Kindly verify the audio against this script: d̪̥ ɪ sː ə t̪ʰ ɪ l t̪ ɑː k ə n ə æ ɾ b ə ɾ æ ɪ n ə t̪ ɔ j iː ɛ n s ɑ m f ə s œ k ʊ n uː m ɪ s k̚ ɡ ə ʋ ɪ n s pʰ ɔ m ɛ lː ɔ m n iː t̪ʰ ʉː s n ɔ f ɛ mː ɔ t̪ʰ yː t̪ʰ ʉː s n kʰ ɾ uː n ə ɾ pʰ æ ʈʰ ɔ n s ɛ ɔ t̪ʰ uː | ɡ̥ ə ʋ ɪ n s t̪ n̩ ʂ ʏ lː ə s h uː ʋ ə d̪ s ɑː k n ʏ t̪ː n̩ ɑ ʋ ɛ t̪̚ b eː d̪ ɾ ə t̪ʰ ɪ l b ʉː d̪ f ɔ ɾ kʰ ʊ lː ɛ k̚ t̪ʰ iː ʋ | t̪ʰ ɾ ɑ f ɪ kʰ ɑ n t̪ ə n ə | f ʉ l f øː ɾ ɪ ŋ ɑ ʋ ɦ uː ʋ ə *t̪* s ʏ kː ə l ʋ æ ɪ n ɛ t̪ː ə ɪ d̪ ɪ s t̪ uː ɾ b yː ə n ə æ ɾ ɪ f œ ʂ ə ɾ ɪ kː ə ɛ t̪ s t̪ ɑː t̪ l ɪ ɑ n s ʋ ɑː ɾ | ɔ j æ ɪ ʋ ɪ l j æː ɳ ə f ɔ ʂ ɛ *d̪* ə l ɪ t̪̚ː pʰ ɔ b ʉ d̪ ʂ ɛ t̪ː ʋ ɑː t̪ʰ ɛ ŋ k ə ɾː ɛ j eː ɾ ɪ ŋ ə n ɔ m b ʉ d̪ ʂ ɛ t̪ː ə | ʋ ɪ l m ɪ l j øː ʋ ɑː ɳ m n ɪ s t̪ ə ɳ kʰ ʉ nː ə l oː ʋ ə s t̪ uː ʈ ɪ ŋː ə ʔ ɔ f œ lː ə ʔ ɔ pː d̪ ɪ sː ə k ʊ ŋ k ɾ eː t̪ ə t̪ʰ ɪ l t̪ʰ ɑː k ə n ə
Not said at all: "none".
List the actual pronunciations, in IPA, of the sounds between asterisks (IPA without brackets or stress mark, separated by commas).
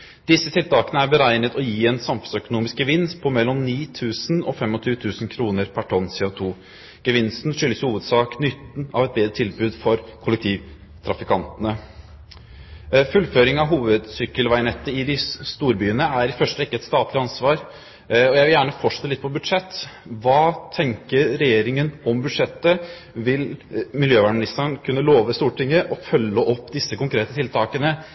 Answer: d̪, t̪